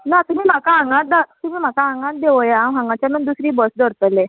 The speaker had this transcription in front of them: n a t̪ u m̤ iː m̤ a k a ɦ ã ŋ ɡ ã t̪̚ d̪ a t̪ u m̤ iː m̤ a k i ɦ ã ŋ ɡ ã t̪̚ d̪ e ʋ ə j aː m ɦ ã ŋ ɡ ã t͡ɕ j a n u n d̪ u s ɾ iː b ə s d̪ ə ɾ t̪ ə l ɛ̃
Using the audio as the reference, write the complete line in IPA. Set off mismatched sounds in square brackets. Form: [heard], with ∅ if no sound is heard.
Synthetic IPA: n a t̪ u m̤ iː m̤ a k a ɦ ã ŋ ɡ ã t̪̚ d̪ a t̪ u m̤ iː m̤ a k [a] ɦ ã ŋ ɡ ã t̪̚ d̪ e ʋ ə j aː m ɦ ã ŋ ɡ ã t͡ɕ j a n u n d̪ u s ɾ iː b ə s d̪ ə ɾ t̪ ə l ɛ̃